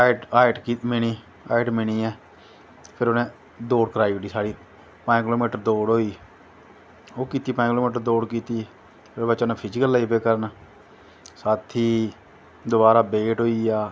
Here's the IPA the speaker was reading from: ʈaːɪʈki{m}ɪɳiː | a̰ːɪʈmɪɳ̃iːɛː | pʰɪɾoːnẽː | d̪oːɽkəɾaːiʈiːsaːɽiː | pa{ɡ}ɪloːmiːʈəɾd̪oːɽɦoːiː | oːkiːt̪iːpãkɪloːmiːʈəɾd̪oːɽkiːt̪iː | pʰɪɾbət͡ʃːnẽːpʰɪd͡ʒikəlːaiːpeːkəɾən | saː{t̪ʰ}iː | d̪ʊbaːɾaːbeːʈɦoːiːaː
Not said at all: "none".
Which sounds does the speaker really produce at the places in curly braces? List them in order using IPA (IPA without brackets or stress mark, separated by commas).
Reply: m, k, t̪ʰ